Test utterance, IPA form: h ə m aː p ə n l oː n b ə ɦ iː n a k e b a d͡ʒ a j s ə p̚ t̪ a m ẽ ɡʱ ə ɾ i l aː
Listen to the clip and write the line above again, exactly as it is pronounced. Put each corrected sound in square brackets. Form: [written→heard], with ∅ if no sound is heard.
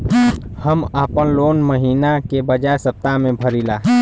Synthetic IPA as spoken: h ə m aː p ə n l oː n [b→m] ə ɦ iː n a k e b [a→ə] d͡ʒ a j s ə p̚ t̪ a m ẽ [ɡʱ→bʱ] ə ɾ i l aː